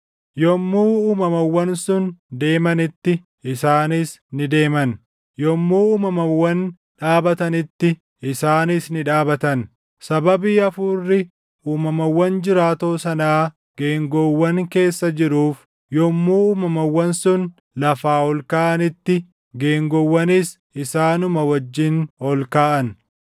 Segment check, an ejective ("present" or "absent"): absent